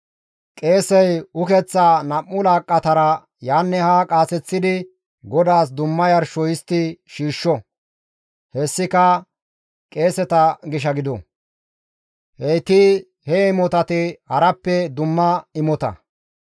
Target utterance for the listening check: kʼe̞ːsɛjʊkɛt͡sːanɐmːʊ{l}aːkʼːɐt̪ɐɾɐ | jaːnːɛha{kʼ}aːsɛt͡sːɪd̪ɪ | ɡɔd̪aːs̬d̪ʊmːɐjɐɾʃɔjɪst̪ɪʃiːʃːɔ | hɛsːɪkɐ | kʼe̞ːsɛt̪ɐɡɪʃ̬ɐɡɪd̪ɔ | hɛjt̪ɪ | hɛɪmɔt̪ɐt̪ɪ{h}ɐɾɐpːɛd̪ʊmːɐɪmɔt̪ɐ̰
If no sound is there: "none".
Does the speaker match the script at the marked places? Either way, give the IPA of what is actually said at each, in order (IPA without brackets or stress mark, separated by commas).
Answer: l, kʼ, h